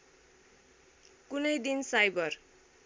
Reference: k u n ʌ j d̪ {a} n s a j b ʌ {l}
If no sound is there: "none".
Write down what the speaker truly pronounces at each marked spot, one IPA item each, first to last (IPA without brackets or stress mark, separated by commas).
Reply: i, r